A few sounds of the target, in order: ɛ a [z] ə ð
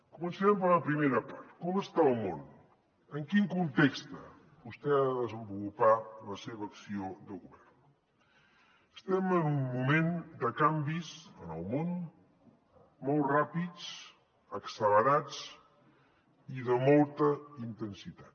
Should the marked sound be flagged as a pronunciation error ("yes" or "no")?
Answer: yes